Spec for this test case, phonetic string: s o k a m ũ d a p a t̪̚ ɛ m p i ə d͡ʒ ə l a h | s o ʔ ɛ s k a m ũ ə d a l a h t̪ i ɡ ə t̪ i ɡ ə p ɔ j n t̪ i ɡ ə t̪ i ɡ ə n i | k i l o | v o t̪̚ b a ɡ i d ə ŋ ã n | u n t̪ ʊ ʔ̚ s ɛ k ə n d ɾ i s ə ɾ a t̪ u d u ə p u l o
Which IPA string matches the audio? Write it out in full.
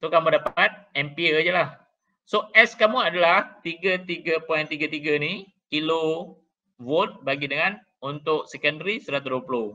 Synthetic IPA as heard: s o k a m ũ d a p a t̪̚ ɛ m p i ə d͡ʒ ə l a h | s o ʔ ɛ s k a m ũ a d a l a h t̪ i ɡ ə t̪ i ɡ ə p ɔ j n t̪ i ɡ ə t̪ i ɡ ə n i | k i l o | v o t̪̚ b a ɡ i d ə ŋ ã n | u n t̪ ʊ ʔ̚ s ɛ k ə n d ɾ i s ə ɾ a t̪ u d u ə p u l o